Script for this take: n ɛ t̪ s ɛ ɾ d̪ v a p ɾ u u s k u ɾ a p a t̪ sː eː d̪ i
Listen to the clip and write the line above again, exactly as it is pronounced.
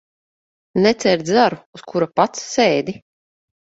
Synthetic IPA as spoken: n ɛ t̪ s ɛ ɾ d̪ z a ɾ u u s k u ɾ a p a t̪ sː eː d̪ i